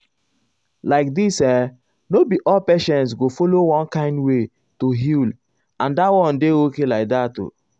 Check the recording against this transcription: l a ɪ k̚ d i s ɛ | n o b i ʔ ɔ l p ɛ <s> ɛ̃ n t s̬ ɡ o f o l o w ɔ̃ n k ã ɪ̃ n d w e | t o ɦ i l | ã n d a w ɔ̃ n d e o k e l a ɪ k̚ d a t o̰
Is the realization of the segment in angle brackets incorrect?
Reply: yes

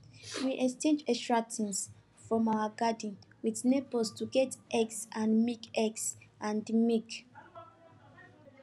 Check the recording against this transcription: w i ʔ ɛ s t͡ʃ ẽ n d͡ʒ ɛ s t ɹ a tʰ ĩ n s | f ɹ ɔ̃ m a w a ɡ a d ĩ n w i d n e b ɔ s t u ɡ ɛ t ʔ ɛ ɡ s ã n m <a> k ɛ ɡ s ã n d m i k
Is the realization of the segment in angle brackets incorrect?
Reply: yes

